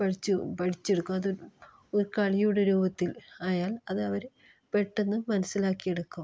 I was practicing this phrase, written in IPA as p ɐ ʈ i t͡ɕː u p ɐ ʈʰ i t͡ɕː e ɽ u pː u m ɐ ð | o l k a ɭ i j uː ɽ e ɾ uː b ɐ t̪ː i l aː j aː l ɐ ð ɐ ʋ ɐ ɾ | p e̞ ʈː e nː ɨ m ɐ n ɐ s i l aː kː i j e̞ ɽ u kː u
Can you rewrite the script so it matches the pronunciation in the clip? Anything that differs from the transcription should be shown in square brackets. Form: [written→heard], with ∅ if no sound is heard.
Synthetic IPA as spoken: p ɐ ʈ i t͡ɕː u p ɐ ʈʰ i t͡ɕː e ɽ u [pː→kː] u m ɐ ð | o [l→ɾ] k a ɭ i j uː ɽ e ɾ uː b ɐ t̪ː i l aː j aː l ɐ ð ɐ ʋ ɐ ɾ | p e̞ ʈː e nː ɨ m ɐ n ɐ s i l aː kː i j e̞ ɽ u kː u